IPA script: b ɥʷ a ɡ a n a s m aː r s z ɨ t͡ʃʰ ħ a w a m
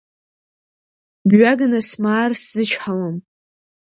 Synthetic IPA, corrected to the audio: b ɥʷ a ɡ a n a s m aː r s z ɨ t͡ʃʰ ħ a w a m